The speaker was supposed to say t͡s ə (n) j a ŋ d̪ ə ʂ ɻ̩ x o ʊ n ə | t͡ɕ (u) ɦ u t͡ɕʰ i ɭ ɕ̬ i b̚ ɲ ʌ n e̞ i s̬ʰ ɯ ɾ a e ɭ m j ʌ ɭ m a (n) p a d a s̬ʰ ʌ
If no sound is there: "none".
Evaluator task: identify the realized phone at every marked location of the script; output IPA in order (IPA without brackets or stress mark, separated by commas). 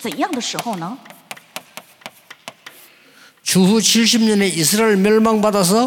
n, u, ŋ